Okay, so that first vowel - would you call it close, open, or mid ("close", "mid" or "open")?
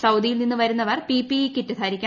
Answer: open